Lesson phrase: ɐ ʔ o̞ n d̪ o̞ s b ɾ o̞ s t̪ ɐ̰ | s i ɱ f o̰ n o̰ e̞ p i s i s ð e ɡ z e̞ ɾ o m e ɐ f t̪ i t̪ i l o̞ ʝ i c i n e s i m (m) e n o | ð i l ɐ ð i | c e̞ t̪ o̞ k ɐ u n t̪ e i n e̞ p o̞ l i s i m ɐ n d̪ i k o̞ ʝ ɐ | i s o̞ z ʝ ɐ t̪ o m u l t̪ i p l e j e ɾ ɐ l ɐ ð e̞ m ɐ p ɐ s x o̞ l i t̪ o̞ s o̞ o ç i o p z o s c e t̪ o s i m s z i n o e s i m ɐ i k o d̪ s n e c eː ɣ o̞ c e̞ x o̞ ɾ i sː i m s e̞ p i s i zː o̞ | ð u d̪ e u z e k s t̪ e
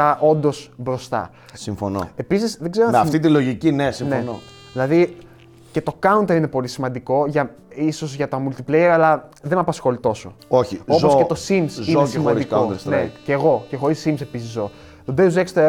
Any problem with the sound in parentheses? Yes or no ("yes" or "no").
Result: yes